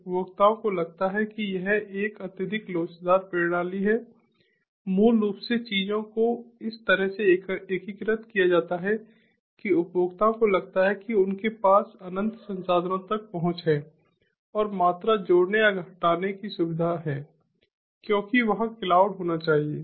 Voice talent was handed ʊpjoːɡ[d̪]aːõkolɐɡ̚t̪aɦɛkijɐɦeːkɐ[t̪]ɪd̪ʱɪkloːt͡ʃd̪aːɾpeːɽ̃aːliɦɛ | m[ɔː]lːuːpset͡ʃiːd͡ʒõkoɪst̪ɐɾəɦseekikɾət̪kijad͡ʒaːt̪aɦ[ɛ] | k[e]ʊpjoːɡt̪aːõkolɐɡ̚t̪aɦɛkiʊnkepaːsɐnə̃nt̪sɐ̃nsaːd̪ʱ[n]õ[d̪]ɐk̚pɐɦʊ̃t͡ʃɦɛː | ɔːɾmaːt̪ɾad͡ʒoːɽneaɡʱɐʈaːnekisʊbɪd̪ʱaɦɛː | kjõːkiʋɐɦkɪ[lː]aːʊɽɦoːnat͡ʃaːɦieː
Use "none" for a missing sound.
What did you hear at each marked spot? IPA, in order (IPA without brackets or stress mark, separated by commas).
t̪, t̪, uː, ɛ, i, n, t̪, l